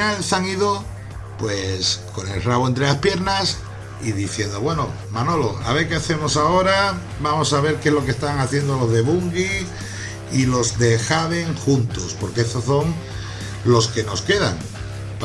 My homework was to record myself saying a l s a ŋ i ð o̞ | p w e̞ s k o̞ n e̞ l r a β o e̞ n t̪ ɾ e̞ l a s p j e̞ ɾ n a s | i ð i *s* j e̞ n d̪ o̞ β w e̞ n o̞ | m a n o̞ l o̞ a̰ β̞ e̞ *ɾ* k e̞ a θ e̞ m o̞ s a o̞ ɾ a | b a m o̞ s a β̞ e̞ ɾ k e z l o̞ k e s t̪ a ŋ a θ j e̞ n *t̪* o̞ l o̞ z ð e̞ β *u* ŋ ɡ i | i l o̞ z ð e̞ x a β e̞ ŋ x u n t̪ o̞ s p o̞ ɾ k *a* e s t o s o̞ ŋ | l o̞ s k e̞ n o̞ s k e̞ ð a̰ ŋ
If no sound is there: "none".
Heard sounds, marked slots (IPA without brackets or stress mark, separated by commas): θ, ɾ, d̪, u, e